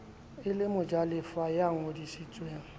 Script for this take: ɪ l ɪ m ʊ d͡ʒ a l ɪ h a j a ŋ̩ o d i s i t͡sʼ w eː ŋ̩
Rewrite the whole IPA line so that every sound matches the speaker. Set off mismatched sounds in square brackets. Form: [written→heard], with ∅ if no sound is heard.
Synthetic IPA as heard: ɪ l ɪ m ʊ d͡ʒ a l ɪ [h→f] a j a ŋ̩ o d i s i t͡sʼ w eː ŋ̩